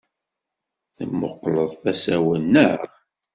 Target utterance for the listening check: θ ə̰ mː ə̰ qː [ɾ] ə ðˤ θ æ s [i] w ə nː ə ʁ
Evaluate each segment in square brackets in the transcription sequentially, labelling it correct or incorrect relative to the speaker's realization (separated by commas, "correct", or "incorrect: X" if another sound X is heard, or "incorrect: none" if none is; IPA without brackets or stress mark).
incorrect: l, incorrect: æ